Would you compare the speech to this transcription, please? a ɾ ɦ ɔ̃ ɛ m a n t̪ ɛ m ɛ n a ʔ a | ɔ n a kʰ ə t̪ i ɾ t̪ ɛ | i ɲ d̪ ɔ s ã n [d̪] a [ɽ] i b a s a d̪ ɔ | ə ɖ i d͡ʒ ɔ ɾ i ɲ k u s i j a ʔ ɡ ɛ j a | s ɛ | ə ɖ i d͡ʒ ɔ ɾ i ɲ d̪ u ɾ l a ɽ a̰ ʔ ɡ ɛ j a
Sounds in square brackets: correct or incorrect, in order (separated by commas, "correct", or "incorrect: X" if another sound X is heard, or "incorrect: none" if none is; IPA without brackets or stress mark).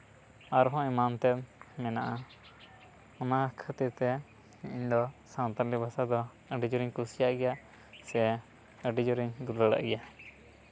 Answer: incorrect: t̪, incorrect: l